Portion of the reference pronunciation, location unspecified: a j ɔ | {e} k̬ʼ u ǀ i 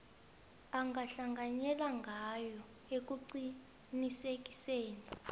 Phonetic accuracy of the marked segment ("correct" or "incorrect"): correct